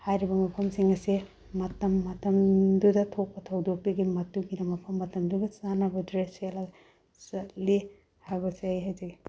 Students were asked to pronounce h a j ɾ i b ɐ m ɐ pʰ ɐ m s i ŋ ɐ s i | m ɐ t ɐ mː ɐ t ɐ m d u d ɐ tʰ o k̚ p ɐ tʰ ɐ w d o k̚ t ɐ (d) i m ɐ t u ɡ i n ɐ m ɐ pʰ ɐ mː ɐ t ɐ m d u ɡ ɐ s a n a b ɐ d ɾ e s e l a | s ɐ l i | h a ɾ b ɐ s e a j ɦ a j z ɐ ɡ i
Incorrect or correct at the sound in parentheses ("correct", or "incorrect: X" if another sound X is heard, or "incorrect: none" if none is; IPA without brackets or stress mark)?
incorrect: ɡ